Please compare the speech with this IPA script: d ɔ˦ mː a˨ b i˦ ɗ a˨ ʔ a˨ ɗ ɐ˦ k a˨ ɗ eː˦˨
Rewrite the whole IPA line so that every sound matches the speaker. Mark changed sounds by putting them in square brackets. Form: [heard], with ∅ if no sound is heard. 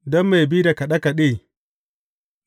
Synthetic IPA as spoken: d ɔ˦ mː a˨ b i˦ [d] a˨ [k] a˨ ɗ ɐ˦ k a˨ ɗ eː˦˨